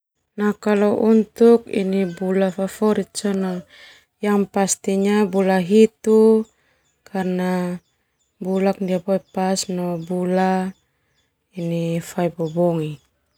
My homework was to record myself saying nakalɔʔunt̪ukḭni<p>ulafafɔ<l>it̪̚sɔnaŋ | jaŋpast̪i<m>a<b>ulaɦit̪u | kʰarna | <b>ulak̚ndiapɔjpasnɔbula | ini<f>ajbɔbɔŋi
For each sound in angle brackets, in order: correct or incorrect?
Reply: incorrect: b, incorrect: ɾ, incorrect: ɲ, correct, correct, correct

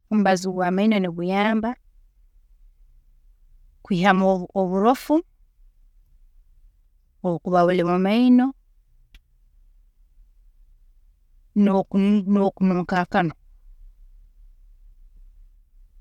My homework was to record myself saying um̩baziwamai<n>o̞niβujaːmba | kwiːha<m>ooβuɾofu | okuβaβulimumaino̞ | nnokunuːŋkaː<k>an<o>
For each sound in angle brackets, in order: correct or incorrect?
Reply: correct, correct, correct, correct

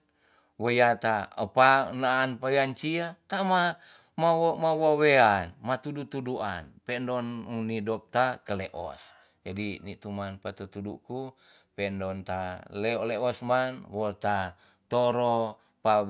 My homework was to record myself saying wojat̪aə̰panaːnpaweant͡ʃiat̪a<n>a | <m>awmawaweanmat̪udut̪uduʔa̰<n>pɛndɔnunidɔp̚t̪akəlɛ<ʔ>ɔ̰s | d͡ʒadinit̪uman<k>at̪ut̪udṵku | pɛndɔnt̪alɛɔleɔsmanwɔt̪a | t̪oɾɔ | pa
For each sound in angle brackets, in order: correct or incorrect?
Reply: incorrect: m, correct, correct, correct, incorrect: p

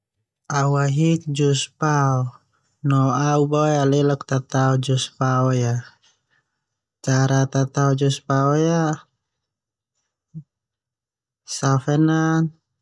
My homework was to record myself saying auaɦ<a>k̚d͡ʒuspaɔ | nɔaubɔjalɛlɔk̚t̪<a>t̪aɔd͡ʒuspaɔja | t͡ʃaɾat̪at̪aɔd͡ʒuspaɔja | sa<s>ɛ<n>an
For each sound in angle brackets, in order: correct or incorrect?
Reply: incorrect: i, correct, incorrect: f, correct

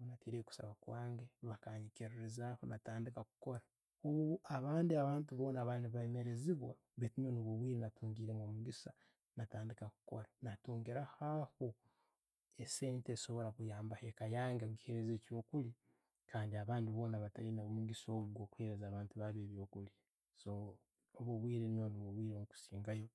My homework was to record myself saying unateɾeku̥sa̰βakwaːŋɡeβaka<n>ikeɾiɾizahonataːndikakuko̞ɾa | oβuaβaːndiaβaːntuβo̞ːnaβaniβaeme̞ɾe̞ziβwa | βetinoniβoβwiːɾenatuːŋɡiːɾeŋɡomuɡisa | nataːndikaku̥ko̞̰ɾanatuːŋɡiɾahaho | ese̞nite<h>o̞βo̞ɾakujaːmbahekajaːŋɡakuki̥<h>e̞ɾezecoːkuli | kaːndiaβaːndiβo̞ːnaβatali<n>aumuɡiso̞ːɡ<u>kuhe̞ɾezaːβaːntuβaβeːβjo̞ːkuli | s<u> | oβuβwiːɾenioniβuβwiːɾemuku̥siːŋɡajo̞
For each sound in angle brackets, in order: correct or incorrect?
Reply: incorrect: ɲ, incorrect: s, correct, correct, incorrect: o, incorrect: o

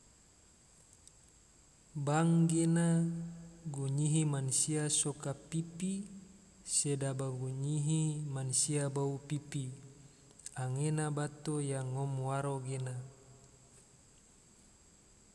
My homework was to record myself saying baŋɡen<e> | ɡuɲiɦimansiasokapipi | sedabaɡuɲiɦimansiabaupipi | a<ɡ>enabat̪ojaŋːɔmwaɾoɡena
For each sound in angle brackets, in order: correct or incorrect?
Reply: incorrect: a, incorrect: ŋ

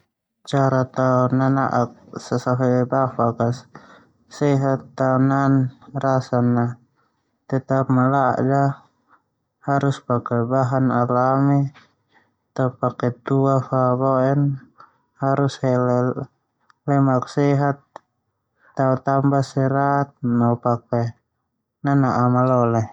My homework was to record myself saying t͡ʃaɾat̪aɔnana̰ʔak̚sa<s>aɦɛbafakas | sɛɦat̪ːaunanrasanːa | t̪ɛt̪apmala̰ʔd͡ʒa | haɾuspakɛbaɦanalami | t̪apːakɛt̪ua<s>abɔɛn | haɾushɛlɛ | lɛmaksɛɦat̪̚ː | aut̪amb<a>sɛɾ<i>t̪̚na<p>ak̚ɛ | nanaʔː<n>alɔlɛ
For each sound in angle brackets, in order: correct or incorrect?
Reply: correct, incorrect: f, correct, incorrect: a, correct, incorrect: m

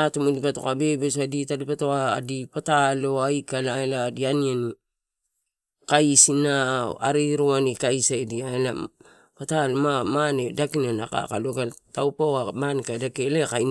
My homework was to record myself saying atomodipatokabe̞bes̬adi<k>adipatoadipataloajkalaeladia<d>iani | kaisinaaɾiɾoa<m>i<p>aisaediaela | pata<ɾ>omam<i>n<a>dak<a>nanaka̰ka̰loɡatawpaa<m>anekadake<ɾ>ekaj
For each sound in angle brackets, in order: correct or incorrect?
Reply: incorrect: t, incorrect: n, incorrect: n, incorrect: k, incorrect: l, incorrect: a, incorrect: e, incorrect: i, correct, incorrect: l

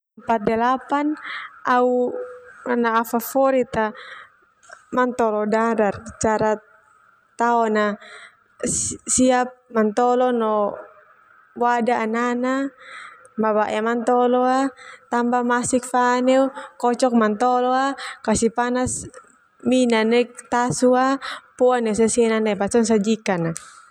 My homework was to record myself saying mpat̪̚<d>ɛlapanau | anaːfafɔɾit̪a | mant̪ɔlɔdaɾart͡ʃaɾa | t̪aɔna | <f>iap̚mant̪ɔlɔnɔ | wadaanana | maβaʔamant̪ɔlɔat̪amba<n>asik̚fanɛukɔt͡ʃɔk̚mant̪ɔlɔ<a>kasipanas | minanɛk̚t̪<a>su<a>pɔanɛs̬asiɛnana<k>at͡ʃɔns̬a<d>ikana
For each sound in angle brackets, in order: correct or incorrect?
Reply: correct, incorrect: s, incorrect: m, correct, correct, correct, incorrect: p, incorrect: d͡ʒ

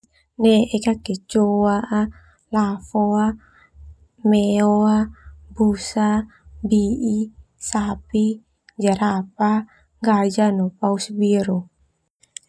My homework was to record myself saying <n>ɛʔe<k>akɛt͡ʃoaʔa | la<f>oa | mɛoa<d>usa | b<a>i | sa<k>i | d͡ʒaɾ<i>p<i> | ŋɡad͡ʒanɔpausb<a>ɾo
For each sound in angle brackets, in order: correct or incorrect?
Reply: correct, correct, correct, incorrect: b, incorrect: i, incorrect: p, incorrect: a, incorrect: a, incorrect: i

